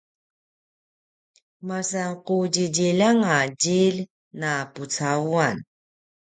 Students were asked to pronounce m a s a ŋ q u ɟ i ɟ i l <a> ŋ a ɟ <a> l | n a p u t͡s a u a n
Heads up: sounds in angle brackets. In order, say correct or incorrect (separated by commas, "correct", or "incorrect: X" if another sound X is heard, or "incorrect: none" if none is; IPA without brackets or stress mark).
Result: correct, incorrect: i